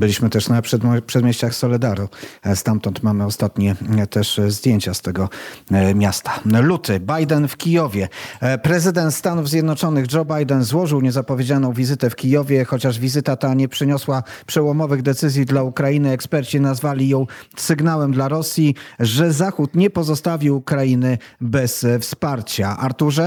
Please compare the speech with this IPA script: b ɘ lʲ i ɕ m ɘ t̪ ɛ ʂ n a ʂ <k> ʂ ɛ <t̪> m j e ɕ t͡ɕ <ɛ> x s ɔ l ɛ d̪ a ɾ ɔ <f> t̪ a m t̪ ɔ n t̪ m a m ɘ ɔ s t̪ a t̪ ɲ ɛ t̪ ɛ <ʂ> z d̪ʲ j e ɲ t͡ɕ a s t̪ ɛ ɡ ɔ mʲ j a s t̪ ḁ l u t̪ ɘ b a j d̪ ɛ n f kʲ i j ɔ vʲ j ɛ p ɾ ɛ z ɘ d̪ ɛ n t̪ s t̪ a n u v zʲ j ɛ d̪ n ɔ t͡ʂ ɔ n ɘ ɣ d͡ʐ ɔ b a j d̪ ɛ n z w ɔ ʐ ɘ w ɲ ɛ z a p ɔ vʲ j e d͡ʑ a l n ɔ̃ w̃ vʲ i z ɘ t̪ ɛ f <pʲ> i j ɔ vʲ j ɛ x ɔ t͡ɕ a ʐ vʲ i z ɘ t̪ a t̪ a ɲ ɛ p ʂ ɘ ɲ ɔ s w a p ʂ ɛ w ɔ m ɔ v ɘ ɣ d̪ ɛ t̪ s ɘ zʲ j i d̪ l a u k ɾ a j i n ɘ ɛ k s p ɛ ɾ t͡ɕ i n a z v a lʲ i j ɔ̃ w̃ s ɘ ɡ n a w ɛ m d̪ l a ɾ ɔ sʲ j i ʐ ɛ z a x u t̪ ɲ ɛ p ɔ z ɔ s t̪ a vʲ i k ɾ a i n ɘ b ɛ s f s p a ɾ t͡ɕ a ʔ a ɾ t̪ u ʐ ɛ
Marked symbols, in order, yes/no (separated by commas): no, no, no, no, yes, no